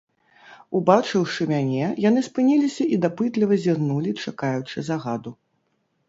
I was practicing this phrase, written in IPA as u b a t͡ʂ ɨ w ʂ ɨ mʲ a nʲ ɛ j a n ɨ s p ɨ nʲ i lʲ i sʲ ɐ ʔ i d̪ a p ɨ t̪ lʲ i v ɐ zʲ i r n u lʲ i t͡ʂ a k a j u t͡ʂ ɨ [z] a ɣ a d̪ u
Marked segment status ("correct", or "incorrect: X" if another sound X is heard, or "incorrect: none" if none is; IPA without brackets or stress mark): correct